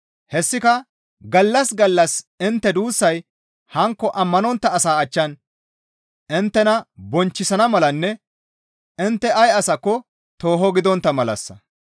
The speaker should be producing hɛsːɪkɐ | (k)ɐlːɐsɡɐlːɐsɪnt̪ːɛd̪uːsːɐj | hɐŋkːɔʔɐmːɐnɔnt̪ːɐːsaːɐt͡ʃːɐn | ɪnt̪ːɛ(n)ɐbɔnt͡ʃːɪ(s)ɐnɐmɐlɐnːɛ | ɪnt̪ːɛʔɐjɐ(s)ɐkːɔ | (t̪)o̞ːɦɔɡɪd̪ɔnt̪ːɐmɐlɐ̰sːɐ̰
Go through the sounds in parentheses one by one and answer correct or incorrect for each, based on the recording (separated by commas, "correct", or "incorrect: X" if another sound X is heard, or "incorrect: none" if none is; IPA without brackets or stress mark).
incorrect: ɡ, correct, correct, correct, correct